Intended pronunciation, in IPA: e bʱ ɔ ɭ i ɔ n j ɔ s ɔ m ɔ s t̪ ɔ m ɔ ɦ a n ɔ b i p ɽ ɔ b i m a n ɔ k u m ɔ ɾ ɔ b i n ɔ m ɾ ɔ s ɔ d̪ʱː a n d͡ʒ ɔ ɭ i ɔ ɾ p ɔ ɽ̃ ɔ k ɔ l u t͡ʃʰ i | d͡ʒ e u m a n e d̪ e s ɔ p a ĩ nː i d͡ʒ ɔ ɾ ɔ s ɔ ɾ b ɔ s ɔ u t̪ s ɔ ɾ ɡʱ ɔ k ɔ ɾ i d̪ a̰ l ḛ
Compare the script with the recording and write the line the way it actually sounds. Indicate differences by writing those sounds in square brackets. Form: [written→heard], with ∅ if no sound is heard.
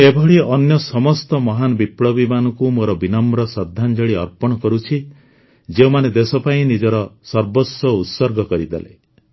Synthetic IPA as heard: e bʱ ɔ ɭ i ɔ n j ɔ s ɔ m ɔ s t̪ ɔ m ɔ ɦ a n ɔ b i p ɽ ɔ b i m a n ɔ k u m [ɔ→o] ɾ ɔ b i n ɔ m ɾ ɔ s ɔ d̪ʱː a n d͡ʒ ɔ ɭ i ɔ ɾ p ɔ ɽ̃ ɔ k ɔ [l→ɾ] u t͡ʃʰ i | d͡ʒ e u m a n e d̪ e s ɔ p a ĩ [nː→n] i d͡ʒ ɔ ɾ ɔ s ɔ ɾ b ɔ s ɔ u t̪ s ɔ ɾ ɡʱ ɔ k ɔ ɾ i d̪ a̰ l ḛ